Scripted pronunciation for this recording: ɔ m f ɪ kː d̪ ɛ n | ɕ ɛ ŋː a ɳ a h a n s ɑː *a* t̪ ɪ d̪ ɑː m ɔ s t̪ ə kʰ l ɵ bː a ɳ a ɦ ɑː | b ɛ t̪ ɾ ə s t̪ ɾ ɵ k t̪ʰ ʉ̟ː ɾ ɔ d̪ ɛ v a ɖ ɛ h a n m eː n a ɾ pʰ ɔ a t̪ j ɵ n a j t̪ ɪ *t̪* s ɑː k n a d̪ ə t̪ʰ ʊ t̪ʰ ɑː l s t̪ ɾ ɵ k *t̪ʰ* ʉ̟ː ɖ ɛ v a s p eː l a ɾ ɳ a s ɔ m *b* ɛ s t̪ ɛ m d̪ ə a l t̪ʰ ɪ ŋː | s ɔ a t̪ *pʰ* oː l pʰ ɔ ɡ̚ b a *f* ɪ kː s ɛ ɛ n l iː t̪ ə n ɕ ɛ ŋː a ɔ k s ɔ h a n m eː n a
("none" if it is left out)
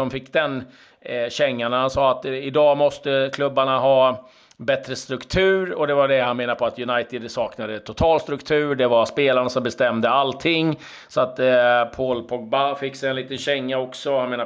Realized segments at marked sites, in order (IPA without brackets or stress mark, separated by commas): a, d̪, t̪ʰ, b, pʰ, f